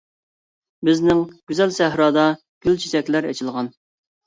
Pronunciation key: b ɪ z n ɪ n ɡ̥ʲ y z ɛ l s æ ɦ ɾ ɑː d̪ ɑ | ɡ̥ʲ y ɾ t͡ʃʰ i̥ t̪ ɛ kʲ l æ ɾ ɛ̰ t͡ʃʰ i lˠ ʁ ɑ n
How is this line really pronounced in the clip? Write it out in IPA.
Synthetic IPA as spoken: b ɪ z n ɪ ŋ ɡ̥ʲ y z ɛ l s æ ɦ ɾ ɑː d̪ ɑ | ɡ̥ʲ y l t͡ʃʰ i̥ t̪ ɛ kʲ l æ ɾ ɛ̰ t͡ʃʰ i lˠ ʁ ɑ n